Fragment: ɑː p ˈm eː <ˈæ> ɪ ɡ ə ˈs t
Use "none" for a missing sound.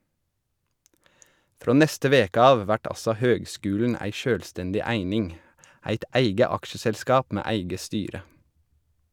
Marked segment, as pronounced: æ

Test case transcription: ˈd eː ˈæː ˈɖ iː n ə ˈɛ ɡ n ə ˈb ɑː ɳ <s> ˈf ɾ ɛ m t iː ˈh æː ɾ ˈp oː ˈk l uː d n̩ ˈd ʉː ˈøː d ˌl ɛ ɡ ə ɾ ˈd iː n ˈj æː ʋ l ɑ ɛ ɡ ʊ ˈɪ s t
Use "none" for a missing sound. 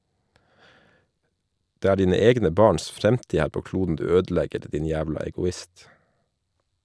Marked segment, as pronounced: s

